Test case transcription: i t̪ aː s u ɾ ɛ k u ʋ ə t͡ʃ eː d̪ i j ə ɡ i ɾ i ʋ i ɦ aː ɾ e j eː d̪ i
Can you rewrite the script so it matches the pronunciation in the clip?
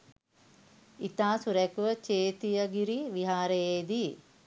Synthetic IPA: i t̪ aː s u ɾ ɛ k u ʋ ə t͡ʃ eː t̪ i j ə ɡ i ɾ i ʋ i ɦ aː ɾ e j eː d̪ i